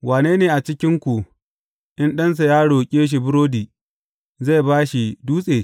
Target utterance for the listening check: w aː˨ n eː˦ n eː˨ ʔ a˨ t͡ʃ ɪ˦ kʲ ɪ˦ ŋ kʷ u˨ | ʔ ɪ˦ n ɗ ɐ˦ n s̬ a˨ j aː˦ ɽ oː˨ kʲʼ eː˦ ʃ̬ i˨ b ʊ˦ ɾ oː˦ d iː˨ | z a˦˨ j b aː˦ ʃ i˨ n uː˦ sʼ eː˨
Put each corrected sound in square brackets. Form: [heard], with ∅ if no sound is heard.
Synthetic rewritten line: w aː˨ n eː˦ n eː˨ ʔ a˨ t͡ʃ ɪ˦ kʲ ɪ˦ ŋ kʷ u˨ | ʔ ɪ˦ n ɗ ɐ˦ n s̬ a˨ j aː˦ ɽ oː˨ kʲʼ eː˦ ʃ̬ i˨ b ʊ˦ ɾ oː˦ d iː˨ | z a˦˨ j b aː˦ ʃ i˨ [d] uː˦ sʼ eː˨